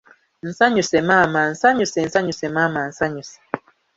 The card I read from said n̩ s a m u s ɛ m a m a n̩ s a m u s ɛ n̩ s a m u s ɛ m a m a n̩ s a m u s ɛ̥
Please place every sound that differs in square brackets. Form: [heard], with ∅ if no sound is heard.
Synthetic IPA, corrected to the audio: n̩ s a [ɲ] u s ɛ m a m a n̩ s a [ɲ] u s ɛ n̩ s a [ɲ] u s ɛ m a m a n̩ s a [ɲ] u s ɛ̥